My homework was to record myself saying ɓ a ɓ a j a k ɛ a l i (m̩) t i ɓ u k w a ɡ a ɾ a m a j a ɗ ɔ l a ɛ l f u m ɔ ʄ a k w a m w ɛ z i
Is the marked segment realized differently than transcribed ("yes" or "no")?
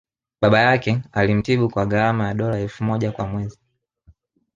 no